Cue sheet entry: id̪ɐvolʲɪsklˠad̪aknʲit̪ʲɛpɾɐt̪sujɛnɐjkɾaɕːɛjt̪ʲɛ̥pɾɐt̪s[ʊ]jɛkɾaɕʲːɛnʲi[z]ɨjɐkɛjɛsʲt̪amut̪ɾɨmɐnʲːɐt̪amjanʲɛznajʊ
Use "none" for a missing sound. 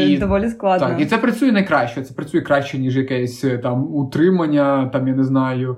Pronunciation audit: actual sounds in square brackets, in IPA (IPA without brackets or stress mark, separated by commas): u, ʐ